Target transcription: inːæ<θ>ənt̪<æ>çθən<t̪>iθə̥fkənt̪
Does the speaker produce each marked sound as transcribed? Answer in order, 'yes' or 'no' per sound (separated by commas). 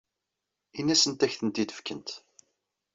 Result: no, yes, yes